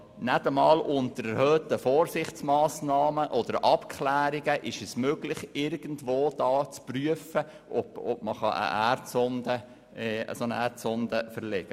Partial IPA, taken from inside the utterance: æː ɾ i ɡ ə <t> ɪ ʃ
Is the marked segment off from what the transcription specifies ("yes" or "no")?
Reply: yes